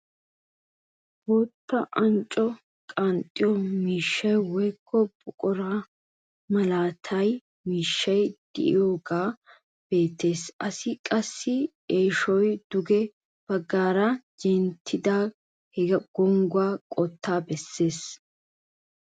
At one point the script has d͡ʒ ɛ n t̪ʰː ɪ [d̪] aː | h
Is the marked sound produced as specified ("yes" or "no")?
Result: yes